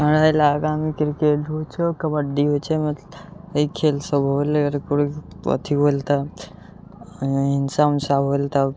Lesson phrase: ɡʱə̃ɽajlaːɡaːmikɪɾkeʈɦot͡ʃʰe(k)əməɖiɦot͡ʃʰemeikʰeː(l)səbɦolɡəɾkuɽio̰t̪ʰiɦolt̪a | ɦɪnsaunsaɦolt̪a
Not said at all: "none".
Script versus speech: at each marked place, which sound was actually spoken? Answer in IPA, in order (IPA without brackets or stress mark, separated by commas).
k, l